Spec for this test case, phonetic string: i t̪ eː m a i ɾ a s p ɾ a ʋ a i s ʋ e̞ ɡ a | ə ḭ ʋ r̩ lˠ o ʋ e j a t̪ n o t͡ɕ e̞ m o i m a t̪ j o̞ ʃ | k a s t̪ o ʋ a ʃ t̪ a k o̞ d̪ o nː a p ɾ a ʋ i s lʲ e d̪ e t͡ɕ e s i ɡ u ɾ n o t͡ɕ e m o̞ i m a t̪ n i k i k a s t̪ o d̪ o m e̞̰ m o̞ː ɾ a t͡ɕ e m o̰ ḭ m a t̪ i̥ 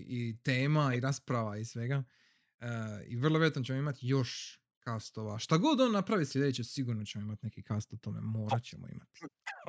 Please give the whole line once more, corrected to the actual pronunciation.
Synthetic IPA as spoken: i t̪ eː m a i ɾ a s p ɾ a ʋ a i s ʋ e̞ ɡ a | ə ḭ ʋ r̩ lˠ o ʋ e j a t̪ n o t͡ɕ e̞ m o i m a t̪ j o̞ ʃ | k a s t̪ o ʋ a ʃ t̪ a ɡ o̞ d̪ o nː a p ɾ a ʋ i s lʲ e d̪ e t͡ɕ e s i ɡ u ɾ n o t͡ɕ e m o̞ i m a t̪ n e k i k a s t̪ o t̪ o m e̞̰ m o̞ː ɾ a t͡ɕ e m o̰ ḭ m a t̪ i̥